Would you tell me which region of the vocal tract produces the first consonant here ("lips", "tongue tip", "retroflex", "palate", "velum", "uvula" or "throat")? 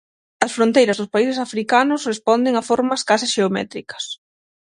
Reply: tongue tip